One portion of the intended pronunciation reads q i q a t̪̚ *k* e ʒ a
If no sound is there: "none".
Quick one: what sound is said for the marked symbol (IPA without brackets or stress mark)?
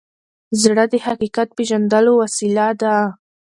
p